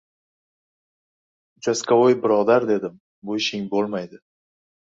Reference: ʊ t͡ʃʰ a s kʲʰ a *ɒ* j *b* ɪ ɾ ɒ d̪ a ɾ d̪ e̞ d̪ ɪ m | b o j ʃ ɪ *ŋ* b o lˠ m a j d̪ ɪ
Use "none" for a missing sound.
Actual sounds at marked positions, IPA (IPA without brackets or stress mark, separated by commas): o, b, ŋ